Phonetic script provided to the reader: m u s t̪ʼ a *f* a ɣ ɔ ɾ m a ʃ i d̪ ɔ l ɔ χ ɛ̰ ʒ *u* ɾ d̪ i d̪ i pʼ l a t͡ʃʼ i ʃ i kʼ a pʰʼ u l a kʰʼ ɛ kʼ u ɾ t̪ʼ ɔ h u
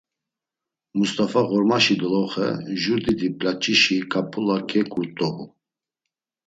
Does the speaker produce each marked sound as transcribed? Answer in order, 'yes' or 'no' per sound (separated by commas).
yes, yes